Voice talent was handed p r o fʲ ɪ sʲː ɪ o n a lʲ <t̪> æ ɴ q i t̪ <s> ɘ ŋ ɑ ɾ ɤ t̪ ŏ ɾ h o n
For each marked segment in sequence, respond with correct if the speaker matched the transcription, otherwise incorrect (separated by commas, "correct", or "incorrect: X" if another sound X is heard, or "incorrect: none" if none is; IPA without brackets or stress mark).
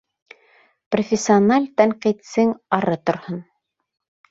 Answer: correct, correct